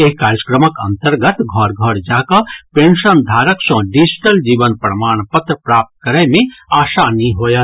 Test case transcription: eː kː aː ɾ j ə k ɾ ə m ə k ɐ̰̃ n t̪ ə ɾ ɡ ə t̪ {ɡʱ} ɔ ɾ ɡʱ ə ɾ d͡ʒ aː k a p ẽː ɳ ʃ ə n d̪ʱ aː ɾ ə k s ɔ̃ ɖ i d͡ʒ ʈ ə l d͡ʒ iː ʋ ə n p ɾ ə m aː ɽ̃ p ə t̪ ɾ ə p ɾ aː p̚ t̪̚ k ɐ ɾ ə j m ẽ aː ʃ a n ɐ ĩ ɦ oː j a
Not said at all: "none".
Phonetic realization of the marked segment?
ɡʱ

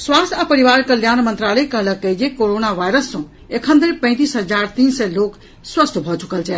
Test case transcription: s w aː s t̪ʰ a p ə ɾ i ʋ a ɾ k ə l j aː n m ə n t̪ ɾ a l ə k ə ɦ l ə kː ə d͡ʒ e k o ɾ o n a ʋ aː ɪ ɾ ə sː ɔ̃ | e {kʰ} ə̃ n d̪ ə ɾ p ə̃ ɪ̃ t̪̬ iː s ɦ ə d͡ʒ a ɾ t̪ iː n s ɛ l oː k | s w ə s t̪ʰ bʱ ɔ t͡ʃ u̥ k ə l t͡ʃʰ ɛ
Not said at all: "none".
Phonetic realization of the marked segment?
kʰ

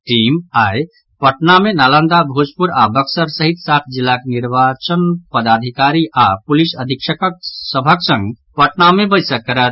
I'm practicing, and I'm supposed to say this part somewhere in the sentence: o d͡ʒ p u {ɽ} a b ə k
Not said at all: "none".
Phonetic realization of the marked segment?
ɾ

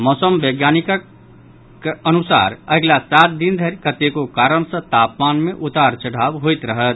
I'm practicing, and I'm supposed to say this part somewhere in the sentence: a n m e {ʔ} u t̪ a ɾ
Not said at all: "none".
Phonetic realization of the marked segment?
ʔ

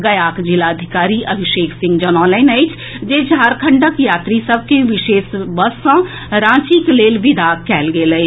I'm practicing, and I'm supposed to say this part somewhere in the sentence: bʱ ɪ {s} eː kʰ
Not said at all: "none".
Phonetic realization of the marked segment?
ʃ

